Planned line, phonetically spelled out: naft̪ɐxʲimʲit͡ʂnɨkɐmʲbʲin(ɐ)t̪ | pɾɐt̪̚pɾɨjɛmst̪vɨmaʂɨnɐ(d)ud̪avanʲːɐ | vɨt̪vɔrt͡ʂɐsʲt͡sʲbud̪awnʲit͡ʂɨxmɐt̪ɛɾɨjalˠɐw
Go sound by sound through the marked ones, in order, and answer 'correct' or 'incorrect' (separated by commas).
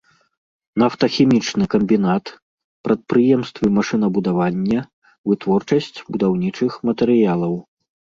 incorrect, incorrect